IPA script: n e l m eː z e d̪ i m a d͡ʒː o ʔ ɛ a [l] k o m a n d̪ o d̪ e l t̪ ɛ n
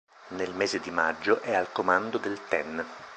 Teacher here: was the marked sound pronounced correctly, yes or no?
yes